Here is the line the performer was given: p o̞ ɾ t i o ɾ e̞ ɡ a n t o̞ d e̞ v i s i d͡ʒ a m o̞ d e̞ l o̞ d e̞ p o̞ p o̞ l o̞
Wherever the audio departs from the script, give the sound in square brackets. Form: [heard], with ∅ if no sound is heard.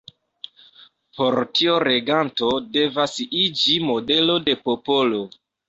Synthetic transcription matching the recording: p o̞ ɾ t i o ɾ e̞ ɡ a n t o̞ d e̞ v [a] s i d͡ʒ [i] m o̞ d e̞ l o̞ d e̞ p o̞ p o̞ l o̞